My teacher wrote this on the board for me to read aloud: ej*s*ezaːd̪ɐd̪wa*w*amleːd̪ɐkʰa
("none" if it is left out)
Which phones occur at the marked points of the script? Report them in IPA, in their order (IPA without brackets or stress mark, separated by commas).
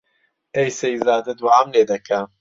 s, none